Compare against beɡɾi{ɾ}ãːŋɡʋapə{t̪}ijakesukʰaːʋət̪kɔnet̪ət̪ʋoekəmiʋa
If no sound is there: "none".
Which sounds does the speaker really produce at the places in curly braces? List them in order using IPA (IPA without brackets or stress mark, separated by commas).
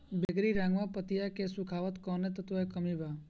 ɾ, t̪